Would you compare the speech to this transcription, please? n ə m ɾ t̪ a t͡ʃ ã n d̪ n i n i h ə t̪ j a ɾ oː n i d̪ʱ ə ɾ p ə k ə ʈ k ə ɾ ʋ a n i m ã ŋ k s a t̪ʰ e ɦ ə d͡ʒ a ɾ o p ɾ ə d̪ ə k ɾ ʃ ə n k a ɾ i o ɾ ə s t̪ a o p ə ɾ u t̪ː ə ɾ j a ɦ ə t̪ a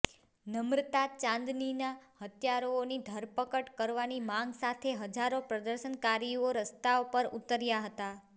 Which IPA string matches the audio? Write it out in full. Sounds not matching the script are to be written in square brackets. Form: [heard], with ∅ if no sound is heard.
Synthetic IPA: n ə m ɾ t̪ a t͡ʃ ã n d̪ n i n [a] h ə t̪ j a ɾ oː n i d̪ʱ ə ɾ p ə k ə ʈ k ə ɾ ʋ a n i m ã ŋ [ɡ] s a t̪ʰ e ɦ ə d͡ʒ a ɾ o p ɾ ə d̪ ə [∅] ɾ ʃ ə n k a ɾ i o ɾ ə s t̪ a o p ə ɾ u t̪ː ə ɾ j a ɦ ə t̪ a